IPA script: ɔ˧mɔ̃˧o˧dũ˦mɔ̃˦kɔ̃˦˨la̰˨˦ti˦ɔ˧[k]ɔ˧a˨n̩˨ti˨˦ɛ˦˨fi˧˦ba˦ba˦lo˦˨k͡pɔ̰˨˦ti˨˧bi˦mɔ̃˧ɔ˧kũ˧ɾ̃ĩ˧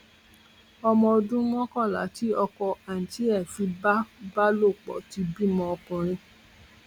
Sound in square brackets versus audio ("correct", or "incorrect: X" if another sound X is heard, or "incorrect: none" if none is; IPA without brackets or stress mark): correct